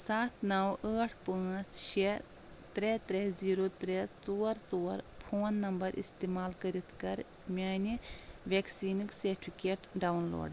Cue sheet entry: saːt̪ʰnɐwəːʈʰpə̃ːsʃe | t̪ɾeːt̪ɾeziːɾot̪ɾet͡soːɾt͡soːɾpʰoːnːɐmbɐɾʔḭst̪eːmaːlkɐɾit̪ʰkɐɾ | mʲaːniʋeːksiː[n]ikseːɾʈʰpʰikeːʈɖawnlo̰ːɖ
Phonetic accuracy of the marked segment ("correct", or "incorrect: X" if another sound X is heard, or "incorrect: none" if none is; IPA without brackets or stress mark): correct